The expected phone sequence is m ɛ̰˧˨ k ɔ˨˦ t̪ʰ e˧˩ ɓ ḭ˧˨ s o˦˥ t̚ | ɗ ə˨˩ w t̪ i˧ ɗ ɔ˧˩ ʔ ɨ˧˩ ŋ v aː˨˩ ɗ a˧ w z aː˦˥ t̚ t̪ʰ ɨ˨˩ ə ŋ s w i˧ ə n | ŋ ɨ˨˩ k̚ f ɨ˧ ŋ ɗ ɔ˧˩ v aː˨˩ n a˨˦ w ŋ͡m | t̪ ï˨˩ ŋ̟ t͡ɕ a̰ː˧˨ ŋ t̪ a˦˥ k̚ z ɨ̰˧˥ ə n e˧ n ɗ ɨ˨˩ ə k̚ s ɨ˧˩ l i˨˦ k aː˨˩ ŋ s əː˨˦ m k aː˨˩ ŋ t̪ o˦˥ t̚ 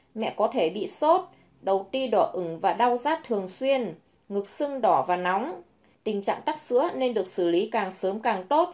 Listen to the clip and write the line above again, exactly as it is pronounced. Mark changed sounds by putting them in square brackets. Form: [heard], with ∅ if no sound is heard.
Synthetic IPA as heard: m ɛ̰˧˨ k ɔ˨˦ t̪ʰ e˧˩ ɓ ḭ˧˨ s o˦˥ t̚ | ɗ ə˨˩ w t̪ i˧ ɗ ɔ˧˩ ʔ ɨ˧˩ ŋ v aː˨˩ ɗ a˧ w z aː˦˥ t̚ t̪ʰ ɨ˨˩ ə ŋ s w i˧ ə n | ŋ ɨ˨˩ k̚ [s] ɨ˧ ŋ ɗ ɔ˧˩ v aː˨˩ n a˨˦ w ŋ͡m | t̪ ï˨˩ ŋ̟ t͡ɕ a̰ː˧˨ ŋ t̪ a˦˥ k̚ [s] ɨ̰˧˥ ə n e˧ n ɗ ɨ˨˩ ə k̚ s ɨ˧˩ l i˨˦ k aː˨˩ ŋ s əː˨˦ m k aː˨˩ ŋ t̪ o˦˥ t̚